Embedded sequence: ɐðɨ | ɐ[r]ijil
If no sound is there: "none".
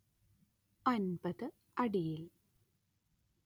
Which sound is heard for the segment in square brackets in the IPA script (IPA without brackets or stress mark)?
ɽ